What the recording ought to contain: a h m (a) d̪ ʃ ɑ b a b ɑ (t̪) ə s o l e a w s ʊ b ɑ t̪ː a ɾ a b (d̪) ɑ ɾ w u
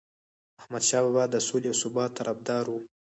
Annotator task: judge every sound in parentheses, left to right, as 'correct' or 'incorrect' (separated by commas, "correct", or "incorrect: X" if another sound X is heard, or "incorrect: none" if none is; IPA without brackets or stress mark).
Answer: correct, incorrect: d̪, correct